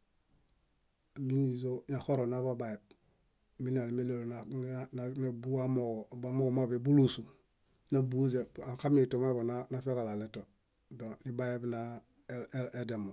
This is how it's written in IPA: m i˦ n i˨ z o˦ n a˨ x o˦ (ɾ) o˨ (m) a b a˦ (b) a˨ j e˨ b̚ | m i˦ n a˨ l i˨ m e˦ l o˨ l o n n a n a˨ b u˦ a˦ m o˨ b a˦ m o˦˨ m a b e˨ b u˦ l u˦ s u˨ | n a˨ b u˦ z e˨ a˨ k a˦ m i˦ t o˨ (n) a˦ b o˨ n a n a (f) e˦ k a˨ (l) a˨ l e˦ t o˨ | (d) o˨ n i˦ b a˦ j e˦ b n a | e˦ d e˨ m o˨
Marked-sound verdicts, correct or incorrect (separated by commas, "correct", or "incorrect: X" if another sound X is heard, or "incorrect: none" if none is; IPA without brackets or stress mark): correct, incorrect: n, correct, incorrect: m, correct, correct, correct